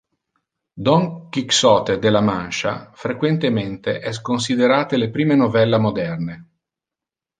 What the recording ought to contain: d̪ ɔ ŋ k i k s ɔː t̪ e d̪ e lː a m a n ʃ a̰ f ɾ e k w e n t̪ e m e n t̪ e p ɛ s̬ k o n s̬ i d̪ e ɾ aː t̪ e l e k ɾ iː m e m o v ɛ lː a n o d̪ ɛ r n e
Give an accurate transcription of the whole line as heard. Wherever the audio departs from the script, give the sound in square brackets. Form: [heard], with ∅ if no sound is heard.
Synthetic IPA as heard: d̪ ɔ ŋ k i k s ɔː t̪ e d̪ e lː a m a n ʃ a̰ f ɾ e k w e n t̪ e m e n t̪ e [ʔ] ɛ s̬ k o n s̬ i d̪ e ɾ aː t̪ e l e [p] ɾ iː m e [n] o v ɛ lː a [m] o d̪ ɛ r n e